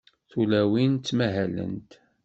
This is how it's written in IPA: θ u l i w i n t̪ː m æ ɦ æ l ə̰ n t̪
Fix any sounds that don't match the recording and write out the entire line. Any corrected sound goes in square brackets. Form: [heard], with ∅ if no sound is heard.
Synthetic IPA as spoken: θ u l [æ] w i n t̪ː m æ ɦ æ l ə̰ n t̪